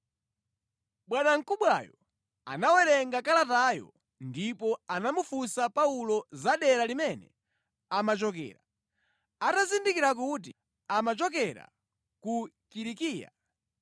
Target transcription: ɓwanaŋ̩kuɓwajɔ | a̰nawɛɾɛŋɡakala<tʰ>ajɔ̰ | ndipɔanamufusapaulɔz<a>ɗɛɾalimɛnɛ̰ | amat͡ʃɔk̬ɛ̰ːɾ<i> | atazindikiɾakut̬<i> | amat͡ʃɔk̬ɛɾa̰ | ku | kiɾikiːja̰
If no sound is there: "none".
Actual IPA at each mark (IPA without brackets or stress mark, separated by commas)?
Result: t, a, a, i